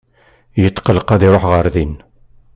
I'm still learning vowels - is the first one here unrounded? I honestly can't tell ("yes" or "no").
yes